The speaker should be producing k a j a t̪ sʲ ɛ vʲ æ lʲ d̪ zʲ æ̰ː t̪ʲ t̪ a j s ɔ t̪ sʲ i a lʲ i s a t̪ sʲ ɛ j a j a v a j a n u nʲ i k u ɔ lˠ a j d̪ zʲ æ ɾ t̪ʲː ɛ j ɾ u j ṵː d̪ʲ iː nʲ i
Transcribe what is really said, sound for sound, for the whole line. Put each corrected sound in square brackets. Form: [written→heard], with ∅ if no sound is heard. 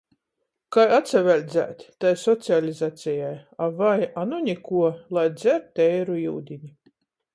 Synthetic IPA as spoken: k a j a t̪ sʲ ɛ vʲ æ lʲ d̪ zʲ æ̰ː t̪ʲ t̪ a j s ɔ t̪ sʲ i a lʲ i [s→z] a t̪ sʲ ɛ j a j a v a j a n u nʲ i k u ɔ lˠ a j d̪ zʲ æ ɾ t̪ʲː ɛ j ɾ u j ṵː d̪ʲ [iː→i] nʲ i